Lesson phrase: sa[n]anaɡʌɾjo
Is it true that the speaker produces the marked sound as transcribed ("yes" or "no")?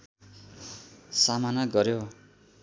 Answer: no